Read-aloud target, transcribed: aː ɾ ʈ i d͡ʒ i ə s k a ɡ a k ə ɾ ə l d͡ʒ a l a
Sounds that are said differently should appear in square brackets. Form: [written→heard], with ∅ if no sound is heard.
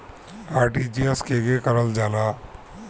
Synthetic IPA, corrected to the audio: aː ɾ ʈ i d͡ʒ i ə s k [a→e] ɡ [a→e] k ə ɾ ə l d͡ʒ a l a